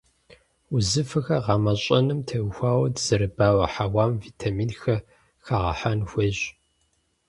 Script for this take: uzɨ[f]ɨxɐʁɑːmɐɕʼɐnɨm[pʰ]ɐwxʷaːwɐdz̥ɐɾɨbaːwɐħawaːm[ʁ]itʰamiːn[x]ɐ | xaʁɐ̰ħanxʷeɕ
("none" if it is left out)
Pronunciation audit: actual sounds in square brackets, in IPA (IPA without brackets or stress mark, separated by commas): f, tʰ, v, x